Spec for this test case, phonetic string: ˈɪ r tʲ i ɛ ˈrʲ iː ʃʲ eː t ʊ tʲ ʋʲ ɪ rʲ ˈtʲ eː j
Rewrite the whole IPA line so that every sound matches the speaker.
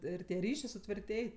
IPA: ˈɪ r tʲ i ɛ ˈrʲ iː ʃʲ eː s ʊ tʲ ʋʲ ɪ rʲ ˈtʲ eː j